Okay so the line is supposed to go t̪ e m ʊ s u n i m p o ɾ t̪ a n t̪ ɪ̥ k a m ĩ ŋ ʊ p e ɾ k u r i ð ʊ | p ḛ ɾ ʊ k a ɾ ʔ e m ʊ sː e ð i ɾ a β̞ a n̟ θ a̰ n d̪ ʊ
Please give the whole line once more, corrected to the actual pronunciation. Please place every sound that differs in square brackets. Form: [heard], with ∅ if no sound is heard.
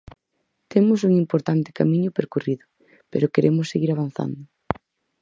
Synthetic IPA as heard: t̪ e m ʊ s u [ŋ] i m p o ɾ t̪ a n t̪ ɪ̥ k a m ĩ [ɲ] ʊ p e ɾ k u r i ð ʊ | p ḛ ɾ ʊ k [e] ɾ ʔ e m ʊ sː e [ɣ] i ɾ a β̞ a n̟ θ a̰ n d̪ ʊ